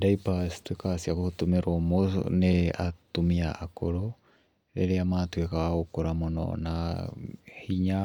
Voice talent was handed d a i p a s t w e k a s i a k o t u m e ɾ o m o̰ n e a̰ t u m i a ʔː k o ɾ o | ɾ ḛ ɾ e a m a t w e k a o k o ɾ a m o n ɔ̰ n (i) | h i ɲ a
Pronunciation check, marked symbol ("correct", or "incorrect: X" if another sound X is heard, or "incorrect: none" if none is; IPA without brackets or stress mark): incorrect: a